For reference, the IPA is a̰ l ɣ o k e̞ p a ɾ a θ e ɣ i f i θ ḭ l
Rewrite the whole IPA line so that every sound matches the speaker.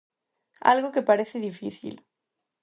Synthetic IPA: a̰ l ɣ o k e̞ p a ɾ e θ e ð i f i θ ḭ l